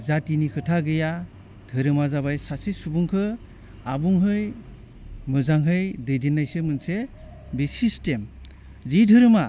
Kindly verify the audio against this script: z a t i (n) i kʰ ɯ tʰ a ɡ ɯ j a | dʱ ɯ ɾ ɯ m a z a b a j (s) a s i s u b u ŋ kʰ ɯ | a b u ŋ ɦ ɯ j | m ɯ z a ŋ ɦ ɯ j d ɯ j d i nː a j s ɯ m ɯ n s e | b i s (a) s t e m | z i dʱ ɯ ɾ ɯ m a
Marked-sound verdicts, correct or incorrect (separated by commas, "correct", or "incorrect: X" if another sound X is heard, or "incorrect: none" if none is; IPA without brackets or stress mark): correct, correct, incorrect: i